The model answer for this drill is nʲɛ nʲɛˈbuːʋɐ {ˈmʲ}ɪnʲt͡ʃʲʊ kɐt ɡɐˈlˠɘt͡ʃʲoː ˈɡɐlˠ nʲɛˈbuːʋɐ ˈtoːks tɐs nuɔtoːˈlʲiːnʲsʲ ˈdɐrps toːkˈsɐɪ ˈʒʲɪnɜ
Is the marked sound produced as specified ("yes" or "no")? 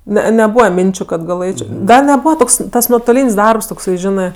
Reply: yes